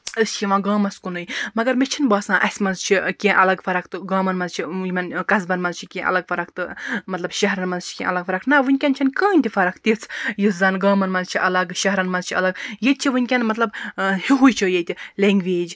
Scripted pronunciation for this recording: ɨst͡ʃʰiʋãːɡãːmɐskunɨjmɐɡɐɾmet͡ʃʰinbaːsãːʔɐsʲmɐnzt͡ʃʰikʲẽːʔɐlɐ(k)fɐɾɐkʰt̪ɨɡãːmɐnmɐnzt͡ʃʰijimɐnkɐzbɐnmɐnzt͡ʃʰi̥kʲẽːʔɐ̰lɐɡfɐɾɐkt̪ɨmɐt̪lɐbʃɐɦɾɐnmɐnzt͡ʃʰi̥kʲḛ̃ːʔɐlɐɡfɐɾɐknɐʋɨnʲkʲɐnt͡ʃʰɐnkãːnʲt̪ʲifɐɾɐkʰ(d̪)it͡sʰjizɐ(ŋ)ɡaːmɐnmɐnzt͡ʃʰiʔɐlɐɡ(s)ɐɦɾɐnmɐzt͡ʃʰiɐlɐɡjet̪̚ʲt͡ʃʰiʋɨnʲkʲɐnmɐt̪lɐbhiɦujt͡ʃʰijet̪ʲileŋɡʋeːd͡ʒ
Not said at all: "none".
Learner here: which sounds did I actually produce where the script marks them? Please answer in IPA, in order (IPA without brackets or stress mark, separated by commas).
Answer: ɡ, t̪, n, ʃ